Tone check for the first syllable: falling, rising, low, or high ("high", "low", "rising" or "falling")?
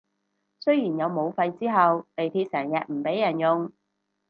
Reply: high